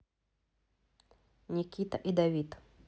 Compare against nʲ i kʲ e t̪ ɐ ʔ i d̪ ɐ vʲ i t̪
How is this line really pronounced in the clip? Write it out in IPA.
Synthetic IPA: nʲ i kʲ i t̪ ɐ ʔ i d̪ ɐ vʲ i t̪